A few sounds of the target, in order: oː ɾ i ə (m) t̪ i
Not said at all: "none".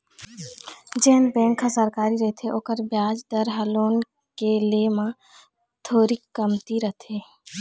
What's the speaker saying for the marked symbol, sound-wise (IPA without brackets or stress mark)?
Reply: m